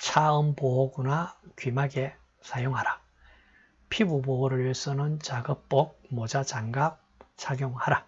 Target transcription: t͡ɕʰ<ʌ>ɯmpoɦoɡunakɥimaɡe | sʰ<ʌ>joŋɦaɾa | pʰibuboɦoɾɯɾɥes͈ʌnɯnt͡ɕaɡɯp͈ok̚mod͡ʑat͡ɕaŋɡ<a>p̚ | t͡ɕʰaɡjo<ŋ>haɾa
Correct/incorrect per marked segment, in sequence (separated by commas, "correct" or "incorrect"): incorrect, incorrect, correct, correct